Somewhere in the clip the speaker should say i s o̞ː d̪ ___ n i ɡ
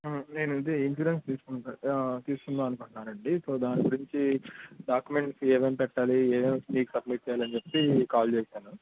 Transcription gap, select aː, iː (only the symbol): aː